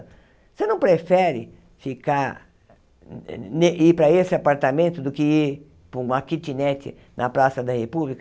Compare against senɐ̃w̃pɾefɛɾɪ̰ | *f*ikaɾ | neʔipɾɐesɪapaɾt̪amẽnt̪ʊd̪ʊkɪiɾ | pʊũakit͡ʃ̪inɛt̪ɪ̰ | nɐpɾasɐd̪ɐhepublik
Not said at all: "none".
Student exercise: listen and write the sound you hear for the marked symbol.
f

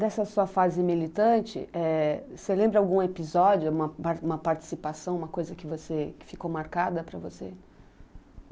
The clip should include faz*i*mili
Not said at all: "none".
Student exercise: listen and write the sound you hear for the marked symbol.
ɪ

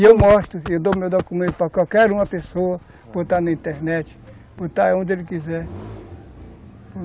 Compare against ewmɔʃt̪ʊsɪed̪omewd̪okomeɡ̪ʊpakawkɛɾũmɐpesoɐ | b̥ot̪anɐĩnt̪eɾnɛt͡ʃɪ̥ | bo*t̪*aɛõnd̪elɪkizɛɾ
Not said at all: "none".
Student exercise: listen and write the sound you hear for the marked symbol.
t̪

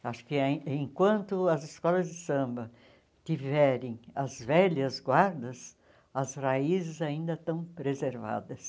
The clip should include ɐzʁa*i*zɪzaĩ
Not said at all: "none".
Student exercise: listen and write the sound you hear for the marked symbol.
i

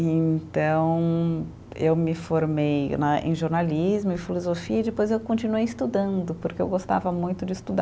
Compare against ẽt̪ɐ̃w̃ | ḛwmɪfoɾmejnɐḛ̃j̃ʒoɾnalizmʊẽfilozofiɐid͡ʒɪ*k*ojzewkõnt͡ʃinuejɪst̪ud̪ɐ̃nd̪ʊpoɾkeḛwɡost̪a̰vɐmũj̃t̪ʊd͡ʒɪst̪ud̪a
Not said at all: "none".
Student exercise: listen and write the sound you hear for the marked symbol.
p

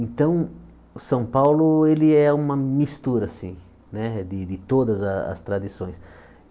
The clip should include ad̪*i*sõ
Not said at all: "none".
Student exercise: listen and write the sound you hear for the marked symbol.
i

